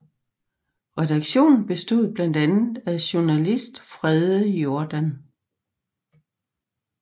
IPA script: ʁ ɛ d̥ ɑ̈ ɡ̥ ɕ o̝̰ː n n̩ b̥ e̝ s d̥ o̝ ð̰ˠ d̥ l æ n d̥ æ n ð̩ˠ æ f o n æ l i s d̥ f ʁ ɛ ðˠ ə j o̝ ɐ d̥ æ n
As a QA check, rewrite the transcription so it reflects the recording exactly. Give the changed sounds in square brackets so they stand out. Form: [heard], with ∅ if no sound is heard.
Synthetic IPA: ʁ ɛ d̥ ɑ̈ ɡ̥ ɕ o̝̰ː n n̩ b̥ e̝ s d̥ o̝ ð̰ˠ [b̥] l æ n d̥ æ n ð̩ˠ æ [ɕ] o n æ l i s d̥ f ʁ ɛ ðˠ ə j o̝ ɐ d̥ æ n

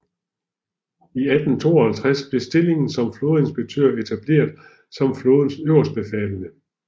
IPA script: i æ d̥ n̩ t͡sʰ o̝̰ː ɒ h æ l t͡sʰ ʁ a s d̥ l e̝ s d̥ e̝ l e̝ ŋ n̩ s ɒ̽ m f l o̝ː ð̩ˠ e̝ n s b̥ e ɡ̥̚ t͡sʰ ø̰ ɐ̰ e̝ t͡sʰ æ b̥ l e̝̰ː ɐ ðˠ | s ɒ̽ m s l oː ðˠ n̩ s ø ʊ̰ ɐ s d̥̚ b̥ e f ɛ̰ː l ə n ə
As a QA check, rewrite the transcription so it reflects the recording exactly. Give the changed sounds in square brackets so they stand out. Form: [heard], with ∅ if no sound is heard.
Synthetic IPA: i æ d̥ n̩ t͡sʰ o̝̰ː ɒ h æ l t͡sʰ ʁ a s [b̥] l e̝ s d̥ e̝ l e̝ ŋ n̩ s ɒ̽ m f l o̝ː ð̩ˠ e̝ n s b̥ e ɡ̥̚ t͡sʰ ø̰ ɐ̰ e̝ t͡sʰ æ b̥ l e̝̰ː ɐ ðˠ | s ɒ̽ m [f] l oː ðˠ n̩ s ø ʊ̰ ɐ s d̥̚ b̥ e f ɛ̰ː l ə n ə

